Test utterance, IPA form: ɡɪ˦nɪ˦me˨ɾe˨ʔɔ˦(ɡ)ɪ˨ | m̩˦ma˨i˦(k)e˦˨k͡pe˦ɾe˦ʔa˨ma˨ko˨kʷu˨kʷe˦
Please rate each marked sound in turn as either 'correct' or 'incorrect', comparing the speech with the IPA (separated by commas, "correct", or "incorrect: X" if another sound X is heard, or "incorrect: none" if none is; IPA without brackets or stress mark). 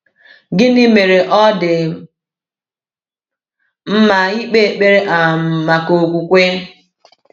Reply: incorrect: d, incorrect: k͡p